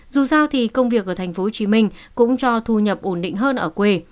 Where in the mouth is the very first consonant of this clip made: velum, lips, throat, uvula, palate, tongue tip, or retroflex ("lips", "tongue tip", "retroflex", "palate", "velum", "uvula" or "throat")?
tongue tip